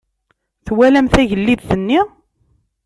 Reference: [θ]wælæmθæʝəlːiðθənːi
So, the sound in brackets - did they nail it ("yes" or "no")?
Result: yes